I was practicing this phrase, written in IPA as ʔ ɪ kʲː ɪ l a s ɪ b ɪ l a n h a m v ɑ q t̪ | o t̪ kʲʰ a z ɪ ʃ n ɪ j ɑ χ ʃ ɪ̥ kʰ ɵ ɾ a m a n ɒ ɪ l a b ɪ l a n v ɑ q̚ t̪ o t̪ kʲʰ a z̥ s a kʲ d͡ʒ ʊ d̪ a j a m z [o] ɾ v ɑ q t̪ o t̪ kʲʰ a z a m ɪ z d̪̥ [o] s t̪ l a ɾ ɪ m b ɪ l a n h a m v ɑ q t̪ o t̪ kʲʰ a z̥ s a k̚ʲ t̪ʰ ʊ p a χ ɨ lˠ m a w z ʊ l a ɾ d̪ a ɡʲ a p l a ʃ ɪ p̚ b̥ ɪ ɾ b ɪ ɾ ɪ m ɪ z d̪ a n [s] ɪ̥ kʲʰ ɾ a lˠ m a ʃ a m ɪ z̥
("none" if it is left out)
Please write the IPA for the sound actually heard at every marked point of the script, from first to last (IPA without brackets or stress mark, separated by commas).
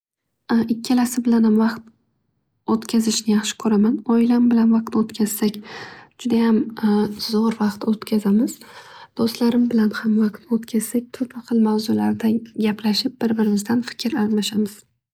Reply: ɒ, o, f